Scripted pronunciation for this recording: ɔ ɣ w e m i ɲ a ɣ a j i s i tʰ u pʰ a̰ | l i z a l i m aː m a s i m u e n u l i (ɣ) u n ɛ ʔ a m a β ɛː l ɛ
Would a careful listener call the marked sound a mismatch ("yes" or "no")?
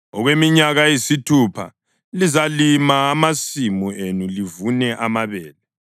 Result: yes